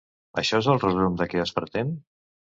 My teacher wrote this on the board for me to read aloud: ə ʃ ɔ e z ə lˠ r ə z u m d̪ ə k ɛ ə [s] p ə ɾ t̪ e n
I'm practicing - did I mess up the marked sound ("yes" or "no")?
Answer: no